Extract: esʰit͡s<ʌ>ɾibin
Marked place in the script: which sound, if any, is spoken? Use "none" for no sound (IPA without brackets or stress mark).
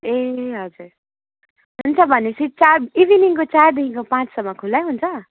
a